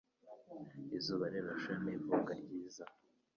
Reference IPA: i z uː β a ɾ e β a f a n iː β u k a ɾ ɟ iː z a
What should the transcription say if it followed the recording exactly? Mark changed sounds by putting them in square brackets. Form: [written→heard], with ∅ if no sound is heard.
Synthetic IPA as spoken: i z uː β a ɾ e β a [f→ʃ] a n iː [β→v] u k a ɾ ɟ iː z a